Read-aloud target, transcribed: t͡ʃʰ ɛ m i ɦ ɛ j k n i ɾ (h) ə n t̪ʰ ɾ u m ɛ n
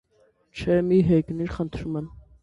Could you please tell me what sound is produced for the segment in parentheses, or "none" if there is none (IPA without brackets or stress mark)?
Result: χ